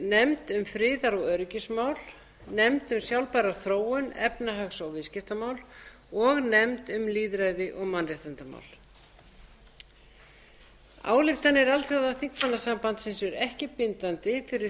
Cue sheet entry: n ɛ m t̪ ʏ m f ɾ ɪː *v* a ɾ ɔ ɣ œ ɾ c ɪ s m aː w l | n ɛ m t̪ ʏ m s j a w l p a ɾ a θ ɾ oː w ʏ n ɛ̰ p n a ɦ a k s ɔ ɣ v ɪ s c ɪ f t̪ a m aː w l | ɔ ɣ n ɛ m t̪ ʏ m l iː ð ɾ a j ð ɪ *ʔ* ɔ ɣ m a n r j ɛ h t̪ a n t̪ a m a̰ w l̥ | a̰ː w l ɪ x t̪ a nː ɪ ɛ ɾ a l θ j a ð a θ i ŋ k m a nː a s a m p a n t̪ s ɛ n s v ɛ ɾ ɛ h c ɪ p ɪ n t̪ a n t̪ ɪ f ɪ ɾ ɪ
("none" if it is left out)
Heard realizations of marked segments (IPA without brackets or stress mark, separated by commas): ð, ʔ